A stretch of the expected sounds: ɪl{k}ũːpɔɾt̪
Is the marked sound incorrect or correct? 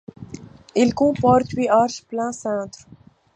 correct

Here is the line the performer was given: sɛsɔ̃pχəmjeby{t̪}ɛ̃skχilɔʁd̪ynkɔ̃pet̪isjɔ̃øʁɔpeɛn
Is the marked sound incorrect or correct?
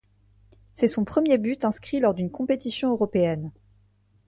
correct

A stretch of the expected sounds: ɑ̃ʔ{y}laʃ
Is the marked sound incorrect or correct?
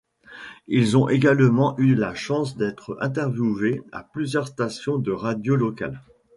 correct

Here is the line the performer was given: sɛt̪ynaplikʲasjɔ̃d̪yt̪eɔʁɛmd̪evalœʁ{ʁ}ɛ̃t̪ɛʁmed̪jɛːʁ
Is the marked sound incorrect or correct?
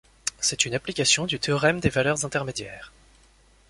incorrect: z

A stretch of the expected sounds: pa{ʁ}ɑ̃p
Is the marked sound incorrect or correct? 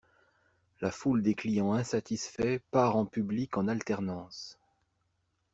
correct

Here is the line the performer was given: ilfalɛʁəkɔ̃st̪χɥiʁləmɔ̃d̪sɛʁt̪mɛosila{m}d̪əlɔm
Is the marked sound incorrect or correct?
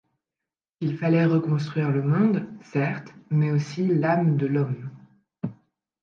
correct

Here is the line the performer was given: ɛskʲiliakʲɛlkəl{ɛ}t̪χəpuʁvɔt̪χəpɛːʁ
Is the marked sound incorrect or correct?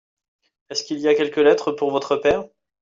correct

